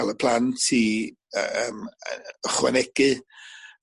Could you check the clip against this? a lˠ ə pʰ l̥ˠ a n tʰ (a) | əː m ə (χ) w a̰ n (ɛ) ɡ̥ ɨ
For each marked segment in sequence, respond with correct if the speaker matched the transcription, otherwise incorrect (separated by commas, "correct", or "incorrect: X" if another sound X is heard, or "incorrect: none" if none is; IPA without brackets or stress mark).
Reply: incorrect: i, correct, correct